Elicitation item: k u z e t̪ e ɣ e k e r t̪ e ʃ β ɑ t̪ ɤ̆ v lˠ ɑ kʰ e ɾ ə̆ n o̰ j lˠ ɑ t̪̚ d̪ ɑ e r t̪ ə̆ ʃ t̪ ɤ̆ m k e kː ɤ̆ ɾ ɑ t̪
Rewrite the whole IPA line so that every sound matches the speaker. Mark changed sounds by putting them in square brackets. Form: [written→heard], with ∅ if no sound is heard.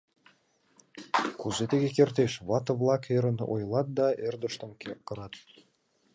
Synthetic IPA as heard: k u z e t̪ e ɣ e k e r t̪ e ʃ β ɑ t̪ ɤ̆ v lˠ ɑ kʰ e ɾ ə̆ n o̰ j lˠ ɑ t̪̚ d̪ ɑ e r [t̪→d̪] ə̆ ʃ t̪ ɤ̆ m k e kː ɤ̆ ɾ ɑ t̪